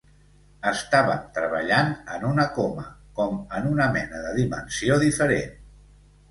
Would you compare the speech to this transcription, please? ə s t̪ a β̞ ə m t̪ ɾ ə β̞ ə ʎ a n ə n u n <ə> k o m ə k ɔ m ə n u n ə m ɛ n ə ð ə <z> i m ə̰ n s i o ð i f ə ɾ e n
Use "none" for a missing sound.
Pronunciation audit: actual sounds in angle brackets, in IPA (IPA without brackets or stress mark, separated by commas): ə, ð